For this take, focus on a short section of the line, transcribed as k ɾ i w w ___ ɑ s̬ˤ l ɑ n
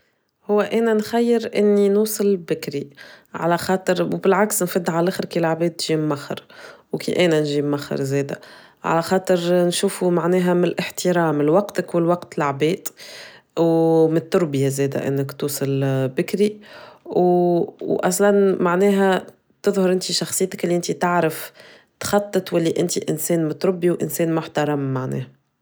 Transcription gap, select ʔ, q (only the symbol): ʔ